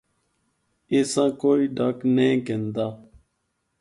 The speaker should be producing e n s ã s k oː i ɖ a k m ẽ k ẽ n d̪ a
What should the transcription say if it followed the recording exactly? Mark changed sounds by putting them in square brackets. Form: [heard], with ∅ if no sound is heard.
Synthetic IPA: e [∅] s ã [∅] k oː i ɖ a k [n] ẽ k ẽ n d̪ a